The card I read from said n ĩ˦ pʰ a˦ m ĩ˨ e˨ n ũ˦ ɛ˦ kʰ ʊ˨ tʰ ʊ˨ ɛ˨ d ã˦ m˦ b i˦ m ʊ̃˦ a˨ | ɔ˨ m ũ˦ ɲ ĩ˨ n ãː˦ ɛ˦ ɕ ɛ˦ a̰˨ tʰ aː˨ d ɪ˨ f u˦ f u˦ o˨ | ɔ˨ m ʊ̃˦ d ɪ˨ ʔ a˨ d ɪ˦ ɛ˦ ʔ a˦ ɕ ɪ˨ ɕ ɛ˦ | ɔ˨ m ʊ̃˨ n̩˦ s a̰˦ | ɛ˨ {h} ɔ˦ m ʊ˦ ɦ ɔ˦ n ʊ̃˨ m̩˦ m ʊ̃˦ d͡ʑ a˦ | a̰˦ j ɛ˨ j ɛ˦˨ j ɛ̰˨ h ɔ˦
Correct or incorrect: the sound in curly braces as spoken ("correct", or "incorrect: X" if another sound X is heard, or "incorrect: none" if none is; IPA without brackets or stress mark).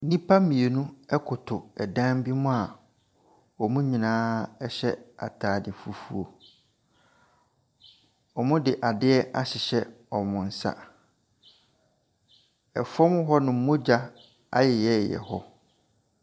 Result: incorrect: f